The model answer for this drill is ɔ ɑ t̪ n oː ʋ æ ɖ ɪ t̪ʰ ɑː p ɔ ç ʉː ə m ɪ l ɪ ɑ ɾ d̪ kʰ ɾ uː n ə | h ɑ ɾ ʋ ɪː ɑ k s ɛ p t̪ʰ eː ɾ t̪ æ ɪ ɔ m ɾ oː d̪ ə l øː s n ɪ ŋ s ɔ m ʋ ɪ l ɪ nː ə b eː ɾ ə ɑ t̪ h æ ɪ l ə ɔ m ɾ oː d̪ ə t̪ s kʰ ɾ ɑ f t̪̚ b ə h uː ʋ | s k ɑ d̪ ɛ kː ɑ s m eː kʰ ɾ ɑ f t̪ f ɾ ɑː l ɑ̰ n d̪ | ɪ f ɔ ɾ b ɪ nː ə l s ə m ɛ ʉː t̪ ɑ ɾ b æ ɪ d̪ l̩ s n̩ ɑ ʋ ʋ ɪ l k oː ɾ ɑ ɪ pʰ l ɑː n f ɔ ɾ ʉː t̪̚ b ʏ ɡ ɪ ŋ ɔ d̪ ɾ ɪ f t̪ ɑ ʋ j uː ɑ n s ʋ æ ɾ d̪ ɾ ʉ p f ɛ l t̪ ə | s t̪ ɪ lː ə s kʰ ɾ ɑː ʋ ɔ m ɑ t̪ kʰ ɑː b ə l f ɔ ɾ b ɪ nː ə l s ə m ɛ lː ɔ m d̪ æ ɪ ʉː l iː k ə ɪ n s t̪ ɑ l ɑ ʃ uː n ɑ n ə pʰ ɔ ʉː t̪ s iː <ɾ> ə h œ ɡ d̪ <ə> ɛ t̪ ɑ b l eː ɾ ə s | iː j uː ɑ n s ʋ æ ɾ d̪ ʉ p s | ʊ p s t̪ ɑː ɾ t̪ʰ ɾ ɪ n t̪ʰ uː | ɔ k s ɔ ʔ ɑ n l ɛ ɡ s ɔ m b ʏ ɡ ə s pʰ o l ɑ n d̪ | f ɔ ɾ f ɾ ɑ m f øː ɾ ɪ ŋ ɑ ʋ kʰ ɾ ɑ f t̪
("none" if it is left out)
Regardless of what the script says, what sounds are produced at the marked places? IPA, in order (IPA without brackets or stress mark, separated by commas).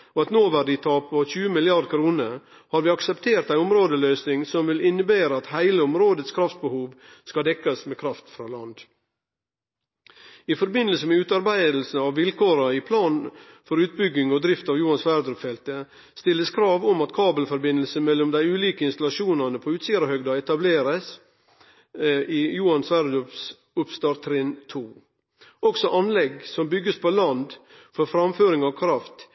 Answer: ɾ, ɑ